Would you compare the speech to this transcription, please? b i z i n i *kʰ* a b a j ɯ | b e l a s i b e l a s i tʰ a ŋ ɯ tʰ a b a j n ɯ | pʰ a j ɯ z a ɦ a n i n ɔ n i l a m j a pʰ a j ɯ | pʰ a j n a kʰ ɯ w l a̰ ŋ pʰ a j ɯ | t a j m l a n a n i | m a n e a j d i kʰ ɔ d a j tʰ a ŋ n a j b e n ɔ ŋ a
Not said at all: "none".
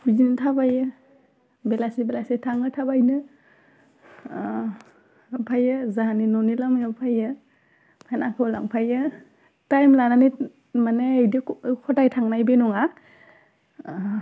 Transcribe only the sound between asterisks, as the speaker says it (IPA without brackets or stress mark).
tʰ